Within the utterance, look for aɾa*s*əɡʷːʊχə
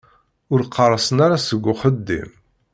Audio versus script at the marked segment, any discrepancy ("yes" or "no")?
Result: no